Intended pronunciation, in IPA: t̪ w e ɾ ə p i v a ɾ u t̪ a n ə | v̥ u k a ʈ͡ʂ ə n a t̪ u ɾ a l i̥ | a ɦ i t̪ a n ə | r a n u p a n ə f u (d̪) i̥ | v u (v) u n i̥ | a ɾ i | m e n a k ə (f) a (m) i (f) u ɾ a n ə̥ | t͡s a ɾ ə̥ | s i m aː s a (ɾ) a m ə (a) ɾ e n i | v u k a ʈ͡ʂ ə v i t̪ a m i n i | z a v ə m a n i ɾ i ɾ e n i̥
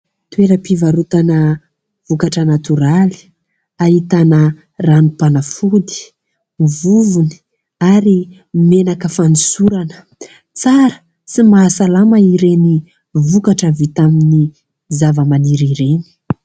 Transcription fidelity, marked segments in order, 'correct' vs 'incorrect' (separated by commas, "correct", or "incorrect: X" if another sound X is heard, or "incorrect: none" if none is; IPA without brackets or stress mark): correct, correct, correct, incorrect: n, incorrect: s, incorrect: l, incorrect: i